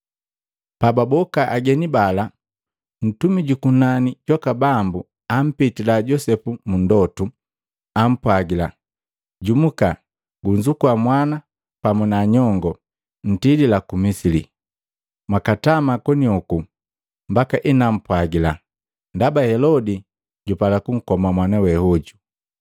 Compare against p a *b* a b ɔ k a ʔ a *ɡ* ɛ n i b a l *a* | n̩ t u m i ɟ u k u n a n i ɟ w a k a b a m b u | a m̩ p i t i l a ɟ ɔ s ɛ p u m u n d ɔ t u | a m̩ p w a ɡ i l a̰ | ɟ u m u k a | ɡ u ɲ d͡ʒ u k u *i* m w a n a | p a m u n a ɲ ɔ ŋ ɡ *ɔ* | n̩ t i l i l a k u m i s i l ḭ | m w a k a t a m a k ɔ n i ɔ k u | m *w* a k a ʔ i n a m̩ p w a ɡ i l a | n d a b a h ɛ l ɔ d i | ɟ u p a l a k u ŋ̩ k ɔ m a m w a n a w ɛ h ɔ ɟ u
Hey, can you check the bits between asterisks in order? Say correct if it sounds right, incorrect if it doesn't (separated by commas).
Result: correct, correct, correct, incorrect, correct, incorrect